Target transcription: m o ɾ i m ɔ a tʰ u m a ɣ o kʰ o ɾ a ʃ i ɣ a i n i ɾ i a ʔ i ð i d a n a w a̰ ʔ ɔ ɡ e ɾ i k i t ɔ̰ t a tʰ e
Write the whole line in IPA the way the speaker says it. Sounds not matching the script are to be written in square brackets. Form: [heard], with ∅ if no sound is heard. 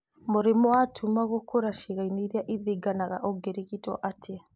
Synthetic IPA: m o ɾ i m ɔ a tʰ u m a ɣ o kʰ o ɾ a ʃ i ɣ a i n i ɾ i a ʔ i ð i [ɡ] a n a [ɣ] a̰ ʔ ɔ ɡ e ɾ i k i t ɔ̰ [ʔ] a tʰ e